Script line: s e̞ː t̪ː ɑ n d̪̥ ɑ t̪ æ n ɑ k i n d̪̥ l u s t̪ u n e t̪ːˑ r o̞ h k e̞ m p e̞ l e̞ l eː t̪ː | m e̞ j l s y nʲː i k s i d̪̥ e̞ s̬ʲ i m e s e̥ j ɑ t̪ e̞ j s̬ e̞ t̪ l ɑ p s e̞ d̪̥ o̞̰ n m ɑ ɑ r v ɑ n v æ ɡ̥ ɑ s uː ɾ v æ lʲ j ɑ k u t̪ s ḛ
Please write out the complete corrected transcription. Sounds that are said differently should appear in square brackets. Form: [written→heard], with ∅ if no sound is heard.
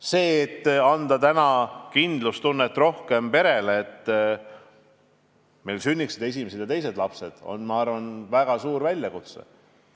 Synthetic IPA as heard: s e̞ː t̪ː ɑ n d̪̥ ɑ t̪ æ n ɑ k i n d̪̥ l u s t̪ u [n→nː] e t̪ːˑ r o̞ h k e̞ m p e̞ [l→ɾ] e̞ l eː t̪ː | m e̞ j l s y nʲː i k s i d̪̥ e̞ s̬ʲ i m e s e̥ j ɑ t̪ e̞ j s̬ e̞ [t̪→d̪] l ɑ p s e̞ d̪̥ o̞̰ n m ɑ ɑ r v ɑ n v æ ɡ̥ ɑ s uː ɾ v æ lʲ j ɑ k u t̪ s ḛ